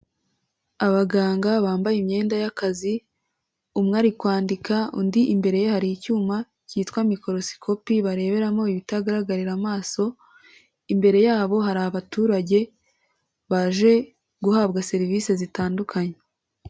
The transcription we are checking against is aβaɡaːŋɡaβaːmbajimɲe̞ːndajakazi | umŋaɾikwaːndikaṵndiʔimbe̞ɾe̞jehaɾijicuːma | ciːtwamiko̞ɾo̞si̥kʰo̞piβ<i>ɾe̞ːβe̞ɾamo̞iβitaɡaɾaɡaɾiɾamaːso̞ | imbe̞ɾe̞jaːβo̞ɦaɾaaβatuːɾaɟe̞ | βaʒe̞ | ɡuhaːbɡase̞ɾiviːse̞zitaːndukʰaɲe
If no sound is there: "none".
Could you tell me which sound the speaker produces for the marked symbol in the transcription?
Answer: a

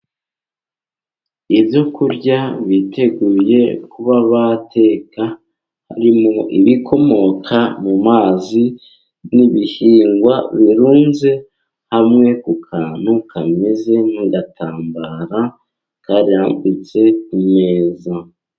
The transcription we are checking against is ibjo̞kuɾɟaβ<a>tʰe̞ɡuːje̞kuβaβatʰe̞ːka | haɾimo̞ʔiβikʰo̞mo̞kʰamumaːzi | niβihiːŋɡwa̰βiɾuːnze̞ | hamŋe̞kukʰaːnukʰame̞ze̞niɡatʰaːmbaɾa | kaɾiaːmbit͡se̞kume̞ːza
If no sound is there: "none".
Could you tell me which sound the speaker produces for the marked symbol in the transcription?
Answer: i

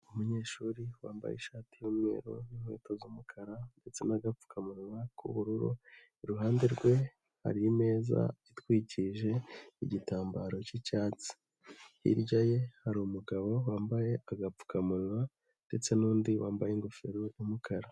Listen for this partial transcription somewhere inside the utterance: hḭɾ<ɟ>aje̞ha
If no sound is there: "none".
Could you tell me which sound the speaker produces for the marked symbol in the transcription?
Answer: ɟ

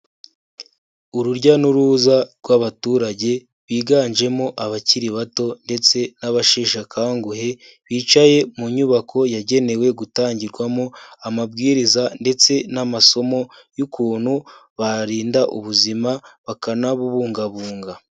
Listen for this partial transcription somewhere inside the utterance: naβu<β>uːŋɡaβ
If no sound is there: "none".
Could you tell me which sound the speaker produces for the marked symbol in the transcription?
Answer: β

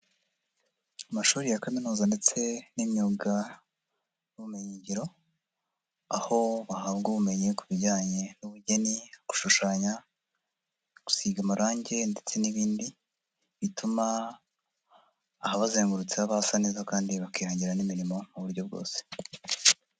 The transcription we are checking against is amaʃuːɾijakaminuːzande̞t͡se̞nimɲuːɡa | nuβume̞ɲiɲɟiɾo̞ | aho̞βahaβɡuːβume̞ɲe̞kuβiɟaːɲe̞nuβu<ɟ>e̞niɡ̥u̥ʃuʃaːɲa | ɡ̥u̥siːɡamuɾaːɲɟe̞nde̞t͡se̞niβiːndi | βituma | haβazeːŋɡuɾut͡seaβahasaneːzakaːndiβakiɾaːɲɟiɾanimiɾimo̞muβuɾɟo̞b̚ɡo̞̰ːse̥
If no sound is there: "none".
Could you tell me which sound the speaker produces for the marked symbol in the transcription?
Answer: ɟ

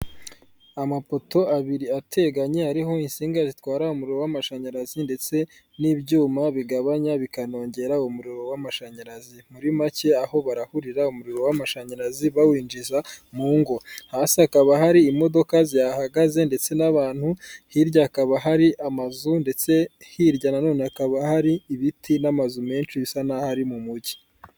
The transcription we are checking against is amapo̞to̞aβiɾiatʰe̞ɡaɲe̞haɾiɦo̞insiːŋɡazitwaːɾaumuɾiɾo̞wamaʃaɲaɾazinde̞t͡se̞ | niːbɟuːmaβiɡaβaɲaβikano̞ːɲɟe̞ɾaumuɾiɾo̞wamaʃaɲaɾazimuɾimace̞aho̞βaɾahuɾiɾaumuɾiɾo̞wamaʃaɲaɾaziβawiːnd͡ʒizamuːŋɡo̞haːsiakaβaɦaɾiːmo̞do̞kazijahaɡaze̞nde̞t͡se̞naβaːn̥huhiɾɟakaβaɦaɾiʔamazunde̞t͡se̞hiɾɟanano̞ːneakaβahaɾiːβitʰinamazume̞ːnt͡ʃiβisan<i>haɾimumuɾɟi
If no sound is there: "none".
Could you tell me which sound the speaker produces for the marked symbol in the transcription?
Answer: a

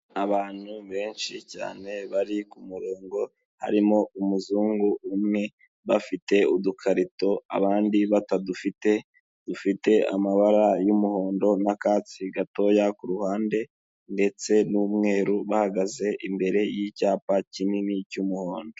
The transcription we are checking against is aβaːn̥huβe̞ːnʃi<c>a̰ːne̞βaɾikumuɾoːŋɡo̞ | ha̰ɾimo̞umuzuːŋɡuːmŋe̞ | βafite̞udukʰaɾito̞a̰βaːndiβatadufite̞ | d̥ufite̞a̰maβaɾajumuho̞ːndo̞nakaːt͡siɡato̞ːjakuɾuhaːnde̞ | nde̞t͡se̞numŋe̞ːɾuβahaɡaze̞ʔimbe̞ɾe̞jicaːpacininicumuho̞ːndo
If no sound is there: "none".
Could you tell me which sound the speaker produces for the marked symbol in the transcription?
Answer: c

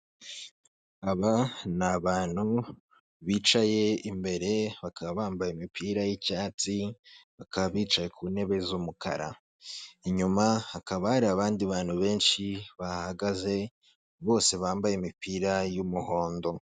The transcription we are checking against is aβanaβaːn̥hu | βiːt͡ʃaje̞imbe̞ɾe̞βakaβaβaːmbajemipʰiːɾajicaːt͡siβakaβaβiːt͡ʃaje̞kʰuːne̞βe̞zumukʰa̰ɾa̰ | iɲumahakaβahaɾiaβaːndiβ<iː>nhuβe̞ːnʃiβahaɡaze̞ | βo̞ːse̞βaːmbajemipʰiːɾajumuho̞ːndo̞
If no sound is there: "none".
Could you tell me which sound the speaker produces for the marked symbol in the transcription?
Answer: aː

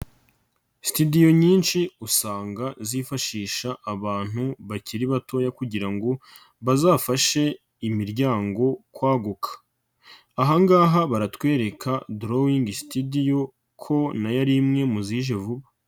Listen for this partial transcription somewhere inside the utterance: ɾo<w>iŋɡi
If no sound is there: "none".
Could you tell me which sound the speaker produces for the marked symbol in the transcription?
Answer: w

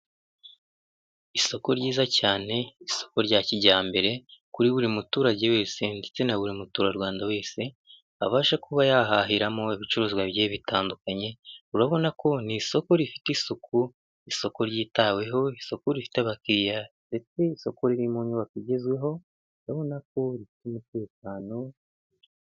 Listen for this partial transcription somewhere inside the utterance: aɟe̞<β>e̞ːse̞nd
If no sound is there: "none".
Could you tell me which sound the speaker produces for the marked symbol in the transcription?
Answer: w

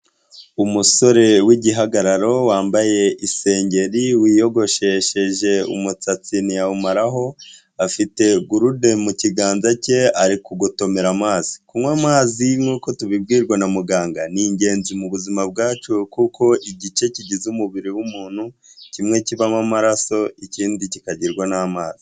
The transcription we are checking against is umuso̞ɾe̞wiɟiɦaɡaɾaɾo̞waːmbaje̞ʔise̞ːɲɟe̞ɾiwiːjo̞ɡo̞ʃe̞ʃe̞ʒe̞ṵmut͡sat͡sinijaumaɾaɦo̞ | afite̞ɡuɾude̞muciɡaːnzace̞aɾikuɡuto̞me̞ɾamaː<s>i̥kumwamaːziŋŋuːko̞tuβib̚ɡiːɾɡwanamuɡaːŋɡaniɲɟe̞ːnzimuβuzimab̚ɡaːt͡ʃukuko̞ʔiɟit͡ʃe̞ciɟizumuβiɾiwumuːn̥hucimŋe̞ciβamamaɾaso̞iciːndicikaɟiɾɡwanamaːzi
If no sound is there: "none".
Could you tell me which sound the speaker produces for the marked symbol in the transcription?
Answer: z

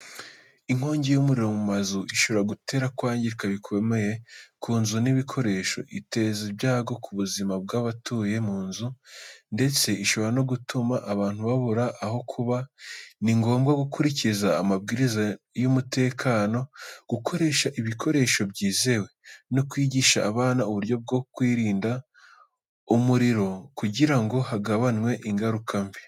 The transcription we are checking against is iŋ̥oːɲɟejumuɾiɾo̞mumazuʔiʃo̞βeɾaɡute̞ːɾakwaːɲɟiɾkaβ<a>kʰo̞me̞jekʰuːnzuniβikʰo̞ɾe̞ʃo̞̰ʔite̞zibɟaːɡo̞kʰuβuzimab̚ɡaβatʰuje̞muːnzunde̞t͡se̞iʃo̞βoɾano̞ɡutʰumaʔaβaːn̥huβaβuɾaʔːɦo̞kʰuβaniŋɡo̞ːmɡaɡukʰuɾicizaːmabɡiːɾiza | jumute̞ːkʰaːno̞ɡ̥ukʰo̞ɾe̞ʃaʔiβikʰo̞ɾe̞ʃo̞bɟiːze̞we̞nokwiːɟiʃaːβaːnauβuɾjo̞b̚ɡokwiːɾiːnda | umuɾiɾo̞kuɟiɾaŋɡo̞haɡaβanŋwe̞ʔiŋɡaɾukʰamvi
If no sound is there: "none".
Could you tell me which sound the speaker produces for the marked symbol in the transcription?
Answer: i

